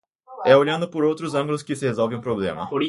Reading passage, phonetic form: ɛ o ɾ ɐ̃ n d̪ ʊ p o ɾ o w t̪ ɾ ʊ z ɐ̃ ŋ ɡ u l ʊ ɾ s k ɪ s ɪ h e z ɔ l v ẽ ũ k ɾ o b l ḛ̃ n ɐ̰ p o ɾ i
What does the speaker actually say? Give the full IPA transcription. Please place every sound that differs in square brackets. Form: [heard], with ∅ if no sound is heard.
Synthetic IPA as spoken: ɛ o [ʎ] ɐ̃ n d̪ ʊ p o ɾ o w t̪ ɾ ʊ z ɐ̃ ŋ ɡ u l ʊ [∅] s k ɪ s ɪ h e z ɔ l v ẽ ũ [p] ɾ o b l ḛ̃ [m] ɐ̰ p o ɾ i